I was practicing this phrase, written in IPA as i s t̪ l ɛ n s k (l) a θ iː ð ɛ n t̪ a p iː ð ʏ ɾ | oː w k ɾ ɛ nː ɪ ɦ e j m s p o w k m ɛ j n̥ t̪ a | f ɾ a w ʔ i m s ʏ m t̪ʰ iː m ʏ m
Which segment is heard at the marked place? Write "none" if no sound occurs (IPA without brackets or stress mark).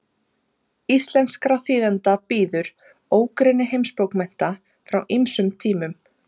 ɾ